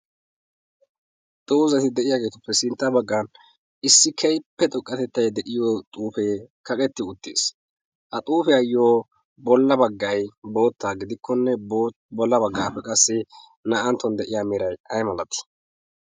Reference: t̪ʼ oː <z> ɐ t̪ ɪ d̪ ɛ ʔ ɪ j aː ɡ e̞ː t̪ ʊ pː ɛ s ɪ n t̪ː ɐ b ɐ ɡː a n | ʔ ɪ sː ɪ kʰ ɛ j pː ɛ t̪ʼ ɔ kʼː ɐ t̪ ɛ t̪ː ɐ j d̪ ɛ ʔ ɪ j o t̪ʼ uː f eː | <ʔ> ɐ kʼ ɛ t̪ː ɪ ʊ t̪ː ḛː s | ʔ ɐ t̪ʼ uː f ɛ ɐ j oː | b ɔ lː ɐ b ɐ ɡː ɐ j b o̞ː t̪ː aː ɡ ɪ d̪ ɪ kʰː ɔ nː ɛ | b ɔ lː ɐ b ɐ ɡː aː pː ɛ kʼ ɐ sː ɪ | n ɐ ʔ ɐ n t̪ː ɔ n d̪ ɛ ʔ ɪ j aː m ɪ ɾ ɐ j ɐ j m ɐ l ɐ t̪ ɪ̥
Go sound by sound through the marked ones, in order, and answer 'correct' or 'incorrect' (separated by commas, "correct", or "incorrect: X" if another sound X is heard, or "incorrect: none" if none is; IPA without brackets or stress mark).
correct, incorrect: k